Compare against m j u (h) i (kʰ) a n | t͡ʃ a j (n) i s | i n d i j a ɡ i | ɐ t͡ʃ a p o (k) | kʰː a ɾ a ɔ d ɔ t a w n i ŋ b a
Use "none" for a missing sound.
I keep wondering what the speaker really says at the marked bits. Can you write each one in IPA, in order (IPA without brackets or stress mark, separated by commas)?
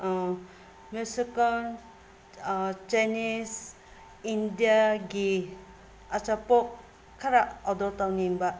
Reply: s, k, n, k